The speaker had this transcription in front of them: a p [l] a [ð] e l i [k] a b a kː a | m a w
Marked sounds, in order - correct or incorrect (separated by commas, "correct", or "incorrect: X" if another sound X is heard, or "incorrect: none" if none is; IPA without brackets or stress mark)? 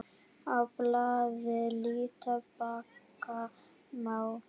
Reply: correct, incorrect: v, incorrect: t